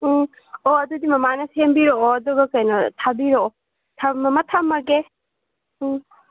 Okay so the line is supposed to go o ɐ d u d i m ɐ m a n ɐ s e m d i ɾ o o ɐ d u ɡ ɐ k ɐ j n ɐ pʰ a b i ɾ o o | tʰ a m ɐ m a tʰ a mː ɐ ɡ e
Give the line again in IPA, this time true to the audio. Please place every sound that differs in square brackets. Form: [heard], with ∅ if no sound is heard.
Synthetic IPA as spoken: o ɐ d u d i m ɐ m a n ɐ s e m [b] i ɾ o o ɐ d u ɡ ɐ k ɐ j n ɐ [tʰ] a b i ɾ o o | tʰ a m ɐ m a tʰ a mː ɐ ɡ e